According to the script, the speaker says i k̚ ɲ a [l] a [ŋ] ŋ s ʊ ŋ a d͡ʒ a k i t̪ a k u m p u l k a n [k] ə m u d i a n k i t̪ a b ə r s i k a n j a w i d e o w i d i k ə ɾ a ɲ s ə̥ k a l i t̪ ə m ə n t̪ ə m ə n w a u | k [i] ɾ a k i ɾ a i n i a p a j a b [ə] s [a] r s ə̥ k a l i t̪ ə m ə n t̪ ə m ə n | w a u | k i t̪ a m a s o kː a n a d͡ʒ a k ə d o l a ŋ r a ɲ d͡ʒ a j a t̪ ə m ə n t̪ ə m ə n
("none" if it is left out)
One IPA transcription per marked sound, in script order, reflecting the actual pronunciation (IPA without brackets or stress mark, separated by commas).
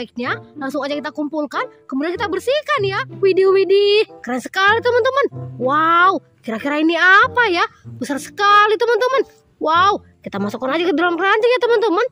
l, ŋ, k, i, ə, a